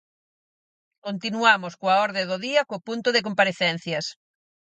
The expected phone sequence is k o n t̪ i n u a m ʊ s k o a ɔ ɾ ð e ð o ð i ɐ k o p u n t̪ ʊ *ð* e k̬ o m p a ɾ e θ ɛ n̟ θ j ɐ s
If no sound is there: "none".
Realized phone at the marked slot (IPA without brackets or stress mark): ð